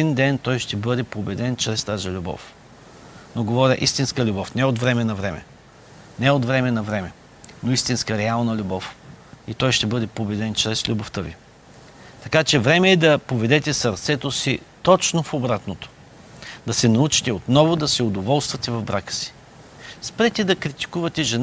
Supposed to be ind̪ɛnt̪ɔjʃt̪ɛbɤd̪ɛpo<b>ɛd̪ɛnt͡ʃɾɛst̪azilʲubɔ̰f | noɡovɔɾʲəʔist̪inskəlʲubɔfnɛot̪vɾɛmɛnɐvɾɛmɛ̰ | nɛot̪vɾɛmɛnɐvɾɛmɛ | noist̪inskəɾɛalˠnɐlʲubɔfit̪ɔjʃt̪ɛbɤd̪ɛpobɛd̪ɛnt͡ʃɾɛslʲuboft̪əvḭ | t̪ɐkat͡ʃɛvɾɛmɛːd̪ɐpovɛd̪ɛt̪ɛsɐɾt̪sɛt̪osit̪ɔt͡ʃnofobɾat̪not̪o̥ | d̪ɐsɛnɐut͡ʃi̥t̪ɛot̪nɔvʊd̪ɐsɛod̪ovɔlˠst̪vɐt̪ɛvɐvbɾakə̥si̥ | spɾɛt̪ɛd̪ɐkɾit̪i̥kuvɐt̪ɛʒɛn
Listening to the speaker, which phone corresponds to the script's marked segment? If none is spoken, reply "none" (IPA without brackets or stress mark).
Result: b